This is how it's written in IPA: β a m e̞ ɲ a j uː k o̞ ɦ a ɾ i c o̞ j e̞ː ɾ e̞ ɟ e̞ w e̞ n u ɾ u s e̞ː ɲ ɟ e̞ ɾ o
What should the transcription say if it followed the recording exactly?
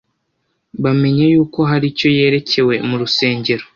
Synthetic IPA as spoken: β a m e̞ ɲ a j uː k o̞ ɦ a ɾ i c o̞ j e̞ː ɾ e̞ c e̞ w e̞ m u ɾ u s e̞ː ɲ ɟ e̞ ɾ o

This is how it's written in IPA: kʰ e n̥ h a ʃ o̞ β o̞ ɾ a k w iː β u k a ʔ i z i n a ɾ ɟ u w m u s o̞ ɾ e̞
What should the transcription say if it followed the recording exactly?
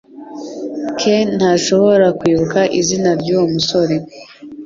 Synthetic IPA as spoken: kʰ e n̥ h a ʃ o̞ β o̞ ɾ a k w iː β u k a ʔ i z i n a ɾ ɟ u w m u s o̞ ɾ e̞

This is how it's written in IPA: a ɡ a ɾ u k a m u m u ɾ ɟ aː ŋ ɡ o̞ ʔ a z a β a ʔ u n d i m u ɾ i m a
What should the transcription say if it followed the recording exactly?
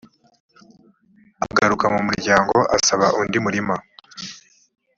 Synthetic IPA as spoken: a ɡ a ɾ u k a m u m u ɾ ɟ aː ŋ ɡ o̞ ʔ a s a β a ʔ u n d i m u ɾ i m a

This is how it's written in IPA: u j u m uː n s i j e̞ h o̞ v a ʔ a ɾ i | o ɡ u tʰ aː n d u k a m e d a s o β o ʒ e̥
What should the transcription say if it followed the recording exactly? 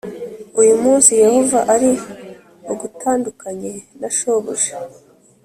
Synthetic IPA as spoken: u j u m uː n s i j e̞ h o̞ v a ʔ a ɾ i | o ɡ u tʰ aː n d u k a ɲ e n a ʃ o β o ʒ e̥

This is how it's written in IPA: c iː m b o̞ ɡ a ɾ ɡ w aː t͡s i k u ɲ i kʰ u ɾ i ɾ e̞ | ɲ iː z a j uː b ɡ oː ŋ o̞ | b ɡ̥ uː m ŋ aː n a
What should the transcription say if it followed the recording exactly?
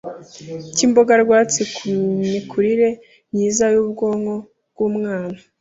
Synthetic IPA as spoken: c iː m b o̞ ɡ a ɾ ɡ w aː t͡s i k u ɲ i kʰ u ɾ i ɾ e̞ | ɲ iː z a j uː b ɡ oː ŋ o̞ | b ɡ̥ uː m ŋ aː n a

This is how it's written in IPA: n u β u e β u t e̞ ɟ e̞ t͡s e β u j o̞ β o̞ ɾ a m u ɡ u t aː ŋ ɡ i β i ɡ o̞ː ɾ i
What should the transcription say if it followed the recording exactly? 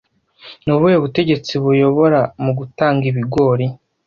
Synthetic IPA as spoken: n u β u e β u t e̞ ɟ e̞ t͡s i β u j o̞ β o̞ ɾ a m u ɡ u t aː ŋ ɡ i β i ɡ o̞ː ɾ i

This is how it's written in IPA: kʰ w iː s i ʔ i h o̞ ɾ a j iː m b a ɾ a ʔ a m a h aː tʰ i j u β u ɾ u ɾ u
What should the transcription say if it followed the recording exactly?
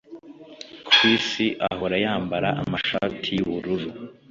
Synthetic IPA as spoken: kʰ w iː s i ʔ a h o̞ ɾ a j aː m b a ɾ a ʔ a m a ʃ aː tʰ i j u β u ɾ u ɾ u

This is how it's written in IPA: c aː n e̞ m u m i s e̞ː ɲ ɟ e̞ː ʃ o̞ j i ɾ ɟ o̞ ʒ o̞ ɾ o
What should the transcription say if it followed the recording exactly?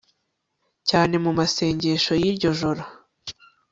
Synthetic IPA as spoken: c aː n e̞ m u m a s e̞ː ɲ ɟ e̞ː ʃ o̞ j i ɾ ɟ o̞ ʒ o̞ ɾ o

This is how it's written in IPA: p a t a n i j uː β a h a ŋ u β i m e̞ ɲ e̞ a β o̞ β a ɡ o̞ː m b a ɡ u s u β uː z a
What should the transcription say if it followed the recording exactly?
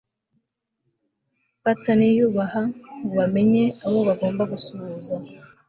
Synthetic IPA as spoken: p a t a n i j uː β a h a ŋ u β a m e̞ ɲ e̞ a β o̞ β a ɡ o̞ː m b a ɡ u s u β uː z a

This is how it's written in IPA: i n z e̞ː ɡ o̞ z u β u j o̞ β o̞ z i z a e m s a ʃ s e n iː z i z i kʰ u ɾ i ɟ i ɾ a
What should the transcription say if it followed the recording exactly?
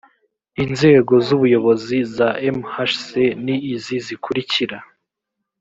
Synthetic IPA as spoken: i n z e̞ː ɡ o̞ z u β u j o̞ β o̞ z i z a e m h a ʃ s e n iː z i z i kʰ u ɾ i c i ɾ a

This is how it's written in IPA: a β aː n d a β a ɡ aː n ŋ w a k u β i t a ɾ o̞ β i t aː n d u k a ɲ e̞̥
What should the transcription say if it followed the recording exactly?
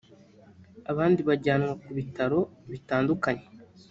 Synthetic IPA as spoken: a β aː n d i β a ɟ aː n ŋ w a k u β i t a ɾ o̞ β i t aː n d u k a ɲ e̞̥

